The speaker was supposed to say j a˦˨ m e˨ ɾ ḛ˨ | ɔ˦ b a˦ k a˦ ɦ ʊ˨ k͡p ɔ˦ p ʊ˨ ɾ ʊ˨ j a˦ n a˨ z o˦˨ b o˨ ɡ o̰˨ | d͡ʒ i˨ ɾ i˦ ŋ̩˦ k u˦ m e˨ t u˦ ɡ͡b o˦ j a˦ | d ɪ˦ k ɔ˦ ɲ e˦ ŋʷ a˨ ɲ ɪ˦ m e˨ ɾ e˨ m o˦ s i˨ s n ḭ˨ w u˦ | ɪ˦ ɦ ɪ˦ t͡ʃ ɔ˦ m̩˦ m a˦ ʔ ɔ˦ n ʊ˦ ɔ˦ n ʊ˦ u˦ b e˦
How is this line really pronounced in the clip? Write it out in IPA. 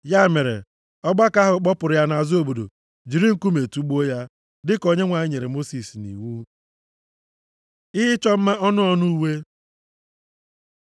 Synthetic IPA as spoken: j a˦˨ m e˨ ɾ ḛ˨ | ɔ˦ ɡ͡b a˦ k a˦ ɦ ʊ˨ k͡p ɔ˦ p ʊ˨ ɾ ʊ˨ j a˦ n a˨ z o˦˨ b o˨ d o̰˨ | d͡ʒ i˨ ɾ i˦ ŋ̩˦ k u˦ m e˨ t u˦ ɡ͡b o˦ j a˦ | d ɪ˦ k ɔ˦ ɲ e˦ ŋʷ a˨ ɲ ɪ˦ ɲ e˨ ɾ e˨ m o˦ s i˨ s n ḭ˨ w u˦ | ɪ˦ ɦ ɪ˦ t͡ʃ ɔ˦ m̩˦ m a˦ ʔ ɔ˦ n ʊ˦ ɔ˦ n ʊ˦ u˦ w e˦